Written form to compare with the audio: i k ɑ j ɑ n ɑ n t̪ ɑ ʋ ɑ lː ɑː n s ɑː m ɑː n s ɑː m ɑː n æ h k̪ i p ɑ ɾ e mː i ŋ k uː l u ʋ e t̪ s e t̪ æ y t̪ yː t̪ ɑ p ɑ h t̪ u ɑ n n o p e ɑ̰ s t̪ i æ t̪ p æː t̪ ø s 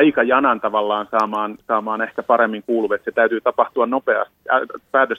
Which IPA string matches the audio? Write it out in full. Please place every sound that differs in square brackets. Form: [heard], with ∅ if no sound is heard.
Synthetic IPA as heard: i k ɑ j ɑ n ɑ n t̪ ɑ ʋ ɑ lː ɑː n s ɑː m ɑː n s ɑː m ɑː n æ h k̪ [æ] p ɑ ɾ e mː i ŋ k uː l u ʋ e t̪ s e t̪ æ y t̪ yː t̪ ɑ p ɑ h t̪ u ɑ n n o p e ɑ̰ s t̪ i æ [∅] p æː t̪ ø s